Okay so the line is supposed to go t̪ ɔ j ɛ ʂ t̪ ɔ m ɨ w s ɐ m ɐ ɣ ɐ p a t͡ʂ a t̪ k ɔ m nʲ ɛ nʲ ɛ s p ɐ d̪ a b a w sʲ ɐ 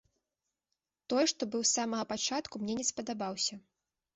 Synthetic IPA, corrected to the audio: t̪ ɔ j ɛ ʂ t̪ ɔ b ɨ w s a m ɐ ɣ ɐ p a t͡ʂ a t̪ k u m nʲ ɛ nʲ ɛ s p ɐ d̪ a b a w sʲ ɐ